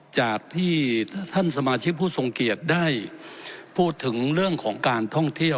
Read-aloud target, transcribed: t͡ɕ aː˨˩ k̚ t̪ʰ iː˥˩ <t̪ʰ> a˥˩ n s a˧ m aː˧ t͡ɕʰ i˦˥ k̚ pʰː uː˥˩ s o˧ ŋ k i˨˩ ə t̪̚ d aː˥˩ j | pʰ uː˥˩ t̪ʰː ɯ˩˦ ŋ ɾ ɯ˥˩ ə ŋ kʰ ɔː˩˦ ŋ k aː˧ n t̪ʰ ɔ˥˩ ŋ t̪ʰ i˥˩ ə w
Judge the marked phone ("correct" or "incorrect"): correct